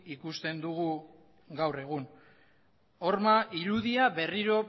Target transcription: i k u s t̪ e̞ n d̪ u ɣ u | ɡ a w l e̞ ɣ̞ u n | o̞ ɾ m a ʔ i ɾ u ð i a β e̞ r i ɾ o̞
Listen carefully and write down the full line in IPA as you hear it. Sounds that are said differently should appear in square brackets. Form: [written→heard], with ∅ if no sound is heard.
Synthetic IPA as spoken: i k u s t̪ e̞ n d̪ u ɣ u | ɡ a w [l→r] e̞ ɣ̞ u n | o̞ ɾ m a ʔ i ɾ u ð i a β e̞ r i ɾ o̞